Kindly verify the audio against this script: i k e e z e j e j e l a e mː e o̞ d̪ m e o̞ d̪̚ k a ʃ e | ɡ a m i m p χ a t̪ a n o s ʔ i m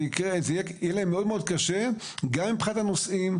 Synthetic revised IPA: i k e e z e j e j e l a e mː e o̞ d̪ m e o̞ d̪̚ k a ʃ e | ɡ a m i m p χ a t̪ a n o s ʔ i m

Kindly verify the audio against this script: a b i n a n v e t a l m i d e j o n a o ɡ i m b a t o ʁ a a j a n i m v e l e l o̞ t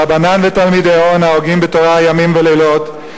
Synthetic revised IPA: a b a n a n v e t a l m i d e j o n a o ɡ i m b e t o ʁ a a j a m i m v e l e l o̞ t

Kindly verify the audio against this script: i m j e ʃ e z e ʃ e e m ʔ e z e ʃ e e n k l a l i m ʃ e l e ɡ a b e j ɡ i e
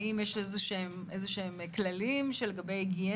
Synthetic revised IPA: i m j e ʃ e z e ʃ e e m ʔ e z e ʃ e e m k l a l i m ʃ e l e ɡ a b e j ɡ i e

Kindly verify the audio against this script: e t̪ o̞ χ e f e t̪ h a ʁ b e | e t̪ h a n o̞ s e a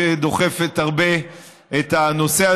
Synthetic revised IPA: e d̪ o̞ χ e f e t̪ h a ʁ b e | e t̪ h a n o̞ s e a

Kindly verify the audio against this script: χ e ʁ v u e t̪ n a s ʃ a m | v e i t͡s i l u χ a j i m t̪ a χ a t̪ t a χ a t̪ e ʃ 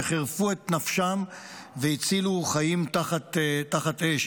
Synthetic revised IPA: χ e ʁ f u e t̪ n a f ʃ a m | v e i t͡s i l u χ a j i m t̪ a χ a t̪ t a χ a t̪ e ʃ

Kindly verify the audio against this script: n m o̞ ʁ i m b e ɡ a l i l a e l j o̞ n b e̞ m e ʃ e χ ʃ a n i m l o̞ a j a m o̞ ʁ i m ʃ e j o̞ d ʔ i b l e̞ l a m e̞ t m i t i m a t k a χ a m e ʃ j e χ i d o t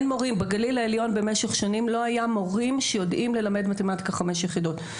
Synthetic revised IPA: n m o̞ ʁ i m b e ɡ a l i l a e l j o̞ n b e̞ m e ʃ e χ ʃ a n i m l o̞ a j a m o̞ ʁ i m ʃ e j o̞ d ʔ i m l e̞ l a m e̞ d m a t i m a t k a χ a m e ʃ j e χ i d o t

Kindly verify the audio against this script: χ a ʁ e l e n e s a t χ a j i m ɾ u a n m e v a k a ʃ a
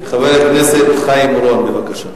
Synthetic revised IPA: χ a v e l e n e s e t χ a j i m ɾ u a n b e v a k a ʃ a

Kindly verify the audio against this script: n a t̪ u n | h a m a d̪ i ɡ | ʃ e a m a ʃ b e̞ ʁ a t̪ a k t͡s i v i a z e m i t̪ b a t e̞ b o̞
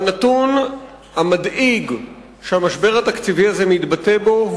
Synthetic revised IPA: n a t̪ u n | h a m a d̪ i ɡ | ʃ e a m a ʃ b e̞ ʁ a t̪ a k t͡s i v i a z e m i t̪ b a t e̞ b o̞

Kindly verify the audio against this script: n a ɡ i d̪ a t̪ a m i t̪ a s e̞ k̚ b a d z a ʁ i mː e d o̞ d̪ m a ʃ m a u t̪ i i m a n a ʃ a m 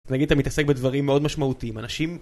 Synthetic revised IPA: n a ɡ i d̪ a t̪ a m i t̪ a s e̞ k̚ b e d v a ʁ i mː e o̞ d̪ m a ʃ m a u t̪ i i m a n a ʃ i m

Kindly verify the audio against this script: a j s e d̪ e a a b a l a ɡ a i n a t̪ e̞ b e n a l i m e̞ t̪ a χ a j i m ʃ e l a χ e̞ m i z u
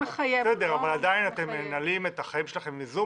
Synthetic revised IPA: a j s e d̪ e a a v a l a d a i n a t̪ e̞ m e n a l i m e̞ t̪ a χ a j i m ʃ e l a χ e̞ m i z u

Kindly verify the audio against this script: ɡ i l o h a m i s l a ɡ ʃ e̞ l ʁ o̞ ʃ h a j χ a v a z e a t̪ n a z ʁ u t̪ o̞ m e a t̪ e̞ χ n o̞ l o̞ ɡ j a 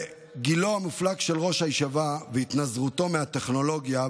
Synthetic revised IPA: ɡ i l o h a m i f l a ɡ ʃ e̞ l ʁ o̞ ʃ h a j ʃ a v a v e i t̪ n a z ʁ u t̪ o̞ m e a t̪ e̞ χ n o̞ l o̞ ɡ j a

